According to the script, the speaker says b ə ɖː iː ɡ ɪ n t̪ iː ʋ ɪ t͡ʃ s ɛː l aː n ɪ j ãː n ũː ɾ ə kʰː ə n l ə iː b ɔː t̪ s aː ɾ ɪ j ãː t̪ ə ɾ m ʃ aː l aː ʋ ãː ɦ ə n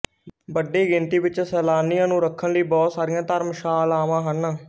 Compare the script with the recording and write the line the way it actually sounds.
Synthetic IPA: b ə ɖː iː ɡ ɪ n t̪ iː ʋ ɪ t͡ʃ s ɛː l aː n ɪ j ãː n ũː ɾ ə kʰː ə n l ə iː b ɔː t̪ s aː ɾ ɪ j ãː t̪ ə ɾ m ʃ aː l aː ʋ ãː ɦ ə n